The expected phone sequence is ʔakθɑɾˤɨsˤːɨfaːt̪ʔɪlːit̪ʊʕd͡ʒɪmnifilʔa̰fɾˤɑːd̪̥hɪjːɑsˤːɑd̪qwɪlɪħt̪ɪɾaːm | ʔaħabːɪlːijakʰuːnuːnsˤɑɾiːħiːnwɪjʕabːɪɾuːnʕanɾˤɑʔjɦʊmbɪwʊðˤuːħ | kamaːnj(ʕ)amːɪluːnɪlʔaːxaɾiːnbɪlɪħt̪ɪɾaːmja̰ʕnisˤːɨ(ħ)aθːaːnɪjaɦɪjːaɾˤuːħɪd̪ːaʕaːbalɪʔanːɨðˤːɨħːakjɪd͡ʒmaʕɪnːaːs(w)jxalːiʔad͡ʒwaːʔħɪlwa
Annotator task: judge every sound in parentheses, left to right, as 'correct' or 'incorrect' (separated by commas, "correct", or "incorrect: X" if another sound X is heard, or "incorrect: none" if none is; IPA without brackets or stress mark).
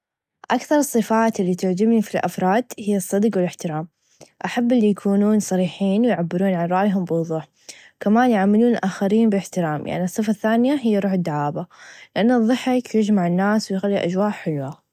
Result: correct, incorrect: f, correct